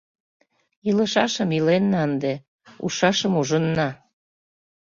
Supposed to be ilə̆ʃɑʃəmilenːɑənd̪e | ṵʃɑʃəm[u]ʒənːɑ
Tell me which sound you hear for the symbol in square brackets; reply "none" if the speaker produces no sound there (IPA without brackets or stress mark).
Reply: u